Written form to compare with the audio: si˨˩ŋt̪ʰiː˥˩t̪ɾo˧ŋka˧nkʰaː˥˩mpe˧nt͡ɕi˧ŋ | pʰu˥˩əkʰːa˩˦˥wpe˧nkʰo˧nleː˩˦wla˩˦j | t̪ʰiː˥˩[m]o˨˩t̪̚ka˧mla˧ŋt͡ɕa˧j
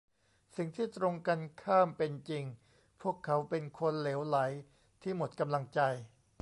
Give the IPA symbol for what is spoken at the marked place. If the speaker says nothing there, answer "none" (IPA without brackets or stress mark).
m